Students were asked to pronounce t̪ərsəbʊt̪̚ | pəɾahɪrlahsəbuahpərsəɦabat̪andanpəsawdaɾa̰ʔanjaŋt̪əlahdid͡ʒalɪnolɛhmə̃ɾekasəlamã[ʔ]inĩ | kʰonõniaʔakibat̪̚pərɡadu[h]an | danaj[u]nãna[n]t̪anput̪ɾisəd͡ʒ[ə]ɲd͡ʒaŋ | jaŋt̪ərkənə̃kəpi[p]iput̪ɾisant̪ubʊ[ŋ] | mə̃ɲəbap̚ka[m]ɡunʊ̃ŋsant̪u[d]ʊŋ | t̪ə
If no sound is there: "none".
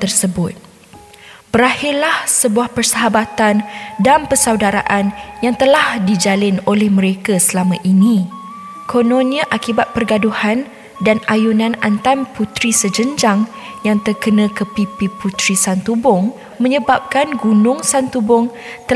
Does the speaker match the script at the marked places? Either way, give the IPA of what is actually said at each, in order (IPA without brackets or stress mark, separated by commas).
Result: ʔ, h, u, n, ə, p, ŋ, n, b